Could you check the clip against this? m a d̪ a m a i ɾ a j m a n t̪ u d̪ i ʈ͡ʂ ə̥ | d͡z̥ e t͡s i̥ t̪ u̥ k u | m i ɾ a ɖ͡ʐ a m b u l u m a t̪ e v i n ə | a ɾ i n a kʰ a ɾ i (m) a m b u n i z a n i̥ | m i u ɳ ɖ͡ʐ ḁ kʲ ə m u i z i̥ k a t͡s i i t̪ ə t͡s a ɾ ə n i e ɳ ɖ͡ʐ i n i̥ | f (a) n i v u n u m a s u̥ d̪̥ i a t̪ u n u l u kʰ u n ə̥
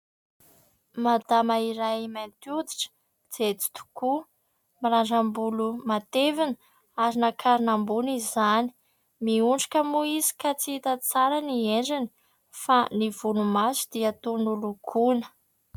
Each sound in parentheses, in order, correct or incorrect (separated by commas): incorrect, correct